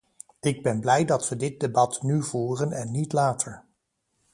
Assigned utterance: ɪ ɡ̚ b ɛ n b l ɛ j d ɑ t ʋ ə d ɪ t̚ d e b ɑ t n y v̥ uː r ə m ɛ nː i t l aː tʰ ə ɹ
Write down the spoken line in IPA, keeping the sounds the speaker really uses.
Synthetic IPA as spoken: ɪ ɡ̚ b ɛ n b l ɛ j d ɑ t ʋ ə d ɪ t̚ d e b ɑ t n y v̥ uː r ə n ɛ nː i t l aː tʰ ə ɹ